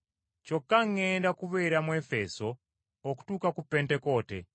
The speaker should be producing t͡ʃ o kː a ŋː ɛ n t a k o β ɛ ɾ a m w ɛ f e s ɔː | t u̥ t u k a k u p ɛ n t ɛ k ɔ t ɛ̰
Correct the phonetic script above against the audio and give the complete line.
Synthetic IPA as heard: t͡ʃ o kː a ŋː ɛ n d a k u β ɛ ɾ a m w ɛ f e s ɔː | k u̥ t u k a k u p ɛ n t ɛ k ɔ t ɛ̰